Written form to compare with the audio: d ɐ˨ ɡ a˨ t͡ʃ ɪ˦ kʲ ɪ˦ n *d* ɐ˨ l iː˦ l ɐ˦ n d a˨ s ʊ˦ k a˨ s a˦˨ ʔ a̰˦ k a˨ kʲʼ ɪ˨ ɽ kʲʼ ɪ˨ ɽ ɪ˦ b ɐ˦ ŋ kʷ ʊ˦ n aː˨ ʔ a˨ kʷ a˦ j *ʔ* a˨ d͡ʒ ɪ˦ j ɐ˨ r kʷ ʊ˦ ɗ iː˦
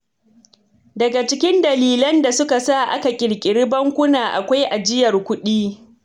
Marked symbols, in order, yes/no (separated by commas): yes, yes